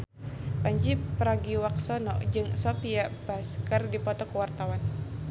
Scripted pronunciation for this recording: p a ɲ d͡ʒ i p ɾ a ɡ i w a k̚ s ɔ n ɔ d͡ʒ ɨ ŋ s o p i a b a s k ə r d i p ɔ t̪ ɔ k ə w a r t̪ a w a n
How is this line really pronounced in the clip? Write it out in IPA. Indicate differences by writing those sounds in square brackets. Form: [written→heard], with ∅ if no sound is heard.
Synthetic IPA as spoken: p a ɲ d͡ʒ i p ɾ a ɡ i w a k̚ s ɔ n ɔ d͡ʒ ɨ ŋ s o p i a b a s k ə r d i p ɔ t̪ ɔ k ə w a r t̪ a w a n